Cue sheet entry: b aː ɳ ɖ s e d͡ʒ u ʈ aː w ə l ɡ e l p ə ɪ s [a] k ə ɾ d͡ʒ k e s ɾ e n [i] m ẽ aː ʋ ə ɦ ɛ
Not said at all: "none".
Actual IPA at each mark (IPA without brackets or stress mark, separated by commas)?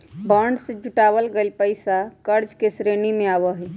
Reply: a, i